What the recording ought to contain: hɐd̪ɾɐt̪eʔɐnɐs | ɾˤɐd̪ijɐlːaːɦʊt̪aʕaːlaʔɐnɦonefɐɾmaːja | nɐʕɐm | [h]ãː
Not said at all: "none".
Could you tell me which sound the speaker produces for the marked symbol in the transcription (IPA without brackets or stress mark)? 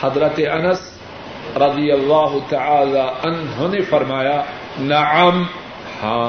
h